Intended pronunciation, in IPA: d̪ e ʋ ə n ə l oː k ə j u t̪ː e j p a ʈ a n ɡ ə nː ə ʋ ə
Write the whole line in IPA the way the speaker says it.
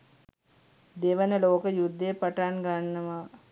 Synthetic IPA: d̪ e ʋ ə n ə l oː k ə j u d̪ː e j p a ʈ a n ɡ a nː ə ʋ a